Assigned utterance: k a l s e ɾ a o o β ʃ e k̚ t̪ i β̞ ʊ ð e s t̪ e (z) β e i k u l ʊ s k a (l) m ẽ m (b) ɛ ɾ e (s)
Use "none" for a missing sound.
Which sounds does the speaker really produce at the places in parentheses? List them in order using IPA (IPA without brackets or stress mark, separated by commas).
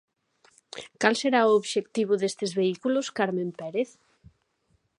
z, ɾ, p, θ